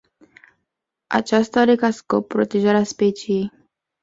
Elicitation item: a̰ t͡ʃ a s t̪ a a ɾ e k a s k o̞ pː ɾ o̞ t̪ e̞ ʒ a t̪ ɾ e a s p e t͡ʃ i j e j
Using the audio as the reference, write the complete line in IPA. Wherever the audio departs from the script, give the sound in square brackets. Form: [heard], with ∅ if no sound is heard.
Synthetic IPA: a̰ t͡ʃ a s t̪ a a ɾ e k a s k o̞ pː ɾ o̞ t̪ e̞ ʒ a [∅] ɾ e a s p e t͡ʃ i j e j